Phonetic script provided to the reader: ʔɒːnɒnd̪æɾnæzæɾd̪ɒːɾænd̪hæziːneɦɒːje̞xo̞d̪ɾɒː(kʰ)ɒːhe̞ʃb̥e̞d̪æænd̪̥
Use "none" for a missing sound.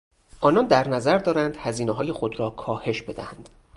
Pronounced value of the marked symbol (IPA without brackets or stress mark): kʰ